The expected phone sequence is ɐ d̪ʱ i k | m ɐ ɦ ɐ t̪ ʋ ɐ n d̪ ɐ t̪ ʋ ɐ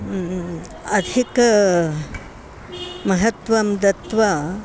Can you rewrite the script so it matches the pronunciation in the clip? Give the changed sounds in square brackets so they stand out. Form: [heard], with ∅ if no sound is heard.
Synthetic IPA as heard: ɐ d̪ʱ i k | m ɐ ɦ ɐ t̪ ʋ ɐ [m] d̪ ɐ t̪ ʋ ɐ

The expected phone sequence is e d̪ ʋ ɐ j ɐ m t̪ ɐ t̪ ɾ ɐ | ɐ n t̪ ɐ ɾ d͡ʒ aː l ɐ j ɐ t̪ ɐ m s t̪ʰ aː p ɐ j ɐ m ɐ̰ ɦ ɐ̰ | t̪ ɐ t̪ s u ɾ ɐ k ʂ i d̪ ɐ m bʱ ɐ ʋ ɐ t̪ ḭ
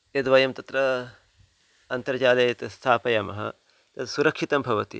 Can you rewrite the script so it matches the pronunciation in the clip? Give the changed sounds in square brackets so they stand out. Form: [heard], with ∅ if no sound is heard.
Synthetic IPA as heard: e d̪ ʋ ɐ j ɐ m t̪ ɐ t̪ ɾ ɐ | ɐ n t̪ ɐ ɾ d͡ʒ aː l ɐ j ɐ t̪ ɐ [∅] s t̪ʰ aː p ɐ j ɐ m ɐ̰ ɦ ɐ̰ | t̪ ɐ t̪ s u ɾ ɐ k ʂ i [t̪] ɐ m bʱ ɐ ʋ ɐ t̪ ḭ

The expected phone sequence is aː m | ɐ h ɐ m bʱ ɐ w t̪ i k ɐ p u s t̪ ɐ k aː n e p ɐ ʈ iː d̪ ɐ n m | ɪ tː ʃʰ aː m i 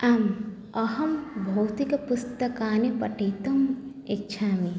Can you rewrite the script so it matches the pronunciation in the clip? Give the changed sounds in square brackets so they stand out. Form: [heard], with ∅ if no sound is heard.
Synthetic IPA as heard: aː m | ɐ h ɐ m bʱ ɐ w t̪ i k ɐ p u s t̪ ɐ k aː n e p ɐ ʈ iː [t̪] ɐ [∅] m | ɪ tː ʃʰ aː m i

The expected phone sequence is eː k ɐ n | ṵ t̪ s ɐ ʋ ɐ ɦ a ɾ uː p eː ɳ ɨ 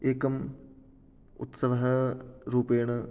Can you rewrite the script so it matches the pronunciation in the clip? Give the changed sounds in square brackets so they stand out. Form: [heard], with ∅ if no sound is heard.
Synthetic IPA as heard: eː k ɐ [m] | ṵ t̪ s ɐ ʋ ɐ ɦ [ɐ] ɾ uː p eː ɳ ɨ

